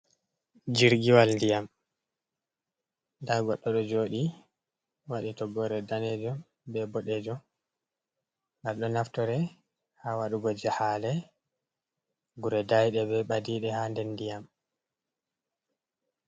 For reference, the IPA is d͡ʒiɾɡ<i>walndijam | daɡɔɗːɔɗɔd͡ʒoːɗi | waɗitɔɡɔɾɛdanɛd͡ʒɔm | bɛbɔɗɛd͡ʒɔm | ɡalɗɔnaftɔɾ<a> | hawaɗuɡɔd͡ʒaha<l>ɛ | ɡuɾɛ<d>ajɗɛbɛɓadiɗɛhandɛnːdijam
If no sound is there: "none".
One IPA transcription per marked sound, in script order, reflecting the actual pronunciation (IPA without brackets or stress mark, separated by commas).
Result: i, ɛ, l, d